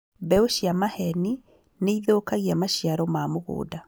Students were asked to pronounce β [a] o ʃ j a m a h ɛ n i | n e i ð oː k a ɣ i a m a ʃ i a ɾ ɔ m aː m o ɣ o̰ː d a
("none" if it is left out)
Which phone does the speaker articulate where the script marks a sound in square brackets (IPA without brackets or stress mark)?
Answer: ɛ